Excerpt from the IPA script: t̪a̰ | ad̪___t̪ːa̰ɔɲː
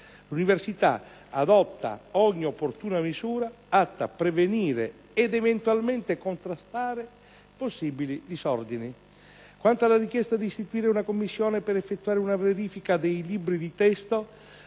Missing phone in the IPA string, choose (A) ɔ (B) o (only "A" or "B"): A